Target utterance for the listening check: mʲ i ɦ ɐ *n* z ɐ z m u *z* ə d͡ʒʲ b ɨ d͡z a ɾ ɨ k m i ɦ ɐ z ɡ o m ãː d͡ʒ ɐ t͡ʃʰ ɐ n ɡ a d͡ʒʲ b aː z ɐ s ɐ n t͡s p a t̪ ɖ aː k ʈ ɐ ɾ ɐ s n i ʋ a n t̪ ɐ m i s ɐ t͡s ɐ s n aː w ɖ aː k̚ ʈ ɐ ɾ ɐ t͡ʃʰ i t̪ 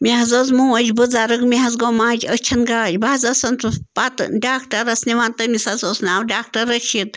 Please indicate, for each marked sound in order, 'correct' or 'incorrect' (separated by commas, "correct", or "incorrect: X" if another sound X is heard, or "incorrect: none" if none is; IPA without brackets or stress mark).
incorrect: none, incorrect: none